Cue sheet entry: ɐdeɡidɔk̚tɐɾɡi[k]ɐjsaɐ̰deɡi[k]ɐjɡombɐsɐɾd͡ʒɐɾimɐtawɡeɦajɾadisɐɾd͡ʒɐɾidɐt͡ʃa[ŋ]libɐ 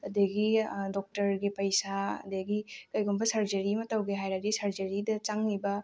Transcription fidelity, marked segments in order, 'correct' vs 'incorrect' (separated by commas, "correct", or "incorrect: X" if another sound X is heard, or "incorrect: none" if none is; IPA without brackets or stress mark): incorrect: p, correct, correct